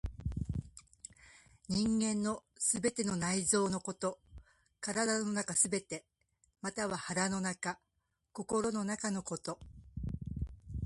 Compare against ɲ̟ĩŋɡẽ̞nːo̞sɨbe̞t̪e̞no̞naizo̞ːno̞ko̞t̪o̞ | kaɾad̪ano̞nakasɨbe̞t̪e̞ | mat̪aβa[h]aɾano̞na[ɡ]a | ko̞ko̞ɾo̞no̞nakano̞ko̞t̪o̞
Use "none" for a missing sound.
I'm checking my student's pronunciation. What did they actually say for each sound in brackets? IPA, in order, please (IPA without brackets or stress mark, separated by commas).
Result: h, k